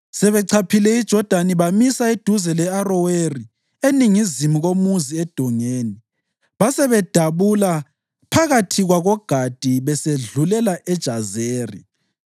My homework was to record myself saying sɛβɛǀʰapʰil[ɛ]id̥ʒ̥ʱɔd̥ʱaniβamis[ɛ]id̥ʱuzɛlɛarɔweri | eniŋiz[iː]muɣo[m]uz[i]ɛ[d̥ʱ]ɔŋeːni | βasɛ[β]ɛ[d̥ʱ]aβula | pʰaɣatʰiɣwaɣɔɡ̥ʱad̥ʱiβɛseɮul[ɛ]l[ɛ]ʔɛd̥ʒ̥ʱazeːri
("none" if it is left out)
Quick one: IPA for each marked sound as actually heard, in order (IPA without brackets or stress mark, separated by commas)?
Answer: ɛ, a, i, m, i, d̥ʱ, β, d̥ʱ, ɛ, a